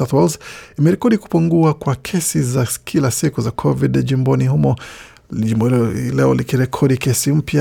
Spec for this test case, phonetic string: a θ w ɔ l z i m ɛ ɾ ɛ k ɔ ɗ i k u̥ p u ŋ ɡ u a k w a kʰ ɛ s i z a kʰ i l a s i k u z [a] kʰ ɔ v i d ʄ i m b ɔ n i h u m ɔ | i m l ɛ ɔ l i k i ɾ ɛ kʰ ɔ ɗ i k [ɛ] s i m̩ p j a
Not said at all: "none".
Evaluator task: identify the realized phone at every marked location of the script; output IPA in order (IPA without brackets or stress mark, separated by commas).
a, ɛ